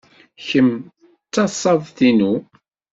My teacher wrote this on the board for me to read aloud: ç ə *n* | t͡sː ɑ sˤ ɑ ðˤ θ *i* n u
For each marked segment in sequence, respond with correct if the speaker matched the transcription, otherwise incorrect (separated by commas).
incorrect, correct